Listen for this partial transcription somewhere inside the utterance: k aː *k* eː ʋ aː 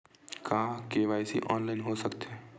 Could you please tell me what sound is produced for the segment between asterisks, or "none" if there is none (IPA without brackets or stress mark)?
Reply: k